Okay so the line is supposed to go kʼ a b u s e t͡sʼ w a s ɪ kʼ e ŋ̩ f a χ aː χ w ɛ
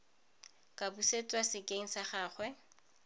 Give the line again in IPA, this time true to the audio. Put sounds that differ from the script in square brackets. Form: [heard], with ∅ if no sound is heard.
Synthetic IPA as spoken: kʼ a b u s e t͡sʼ w a s ɪ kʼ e ŋ̩ [s] a χ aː χ w ɛ